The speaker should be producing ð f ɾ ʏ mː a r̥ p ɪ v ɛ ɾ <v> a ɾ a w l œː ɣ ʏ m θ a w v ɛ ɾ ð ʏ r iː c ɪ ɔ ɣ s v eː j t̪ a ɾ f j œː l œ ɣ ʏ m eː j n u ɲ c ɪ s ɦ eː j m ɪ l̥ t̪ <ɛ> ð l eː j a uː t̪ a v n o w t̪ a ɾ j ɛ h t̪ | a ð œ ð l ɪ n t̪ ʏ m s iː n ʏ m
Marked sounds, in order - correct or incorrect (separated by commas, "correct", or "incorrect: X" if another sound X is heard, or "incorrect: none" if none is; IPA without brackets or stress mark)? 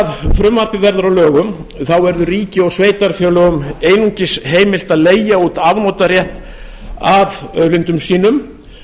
incorrect: ð, incorrect: a